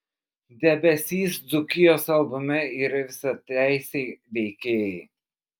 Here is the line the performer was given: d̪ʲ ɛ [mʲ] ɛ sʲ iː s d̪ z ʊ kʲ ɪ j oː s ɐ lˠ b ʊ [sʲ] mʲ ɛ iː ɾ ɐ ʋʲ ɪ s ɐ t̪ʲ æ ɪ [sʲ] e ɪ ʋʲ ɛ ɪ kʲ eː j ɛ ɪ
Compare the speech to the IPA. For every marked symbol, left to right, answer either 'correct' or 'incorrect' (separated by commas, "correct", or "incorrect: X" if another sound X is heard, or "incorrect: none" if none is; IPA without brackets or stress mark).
incorrect: bʲ, incorrect: none, correct